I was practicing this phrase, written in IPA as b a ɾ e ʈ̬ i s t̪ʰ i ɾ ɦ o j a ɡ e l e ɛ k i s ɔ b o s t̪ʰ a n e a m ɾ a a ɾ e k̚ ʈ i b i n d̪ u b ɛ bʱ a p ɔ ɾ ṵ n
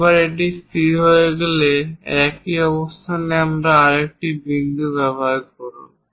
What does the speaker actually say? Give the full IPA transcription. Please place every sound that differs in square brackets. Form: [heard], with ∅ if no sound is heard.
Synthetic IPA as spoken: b a ɾ e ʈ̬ i s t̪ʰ i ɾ ɦ o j [e] ɡ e l e ɛ k i [∅] ɔ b o s t̪ʰ a n e a m ɾ a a ɾ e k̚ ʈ i b i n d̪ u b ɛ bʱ a [k] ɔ ɾ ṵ n